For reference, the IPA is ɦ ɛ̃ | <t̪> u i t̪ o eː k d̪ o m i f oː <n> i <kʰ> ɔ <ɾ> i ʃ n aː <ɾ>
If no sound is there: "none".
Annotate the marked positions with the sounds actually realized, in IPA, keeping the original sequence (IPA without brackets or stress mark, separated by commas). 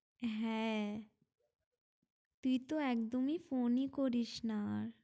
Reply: t̪, n, k, ɾ, ɾ